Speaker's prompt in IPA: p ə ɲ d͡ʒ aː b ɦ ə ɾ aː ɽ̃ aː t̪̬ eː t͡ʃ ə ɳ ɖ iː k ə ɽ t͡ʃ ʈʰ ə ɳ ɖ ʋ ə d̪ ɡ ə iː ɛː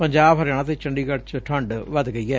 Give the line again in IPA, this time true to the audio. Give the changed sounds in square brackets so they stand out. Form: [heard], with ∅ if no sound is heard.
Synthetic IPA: p ə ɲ d͡ʒ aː b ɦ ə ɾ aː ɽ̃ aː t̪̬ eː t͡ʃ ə ɳ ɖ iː k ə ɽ t͡ʃ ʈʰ ə ɳ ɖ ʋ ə d̪ ɡ ə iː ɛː